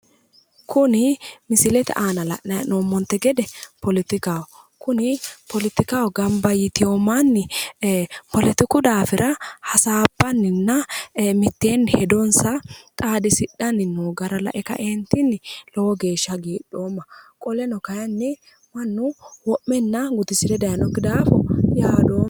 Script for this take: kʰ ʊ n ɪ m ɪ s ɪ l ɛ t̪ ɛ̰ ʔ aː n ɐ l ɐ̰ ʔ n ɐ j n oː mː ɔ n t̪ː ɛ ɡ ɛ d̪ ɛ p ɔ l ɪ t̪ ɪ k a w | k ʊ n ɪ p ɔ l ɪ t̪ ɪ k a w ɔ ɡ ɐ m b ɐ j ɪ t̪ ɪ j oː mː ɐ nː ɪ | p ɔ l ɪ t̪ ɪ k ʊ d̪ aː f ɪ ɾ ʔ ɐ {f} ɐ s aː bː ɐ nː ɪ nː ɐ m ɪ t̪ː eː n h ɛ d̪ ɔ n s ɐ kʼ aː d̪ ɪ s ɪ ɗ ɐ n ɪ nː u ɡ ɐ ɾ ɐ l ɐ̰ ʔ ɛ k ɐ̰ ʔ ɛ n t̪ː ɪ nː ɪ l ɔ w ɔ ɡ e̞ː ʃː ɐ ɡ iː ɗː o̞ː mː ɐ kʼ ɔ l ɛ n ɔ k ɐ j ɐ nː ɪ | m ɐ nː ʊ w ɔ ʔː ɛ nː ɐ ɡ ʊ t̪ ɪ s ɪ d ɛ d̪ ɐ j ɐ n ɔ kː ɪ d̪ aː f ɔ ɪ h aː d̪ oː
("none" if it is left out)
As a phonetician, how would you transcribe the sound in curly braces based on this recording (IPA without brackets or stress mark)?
h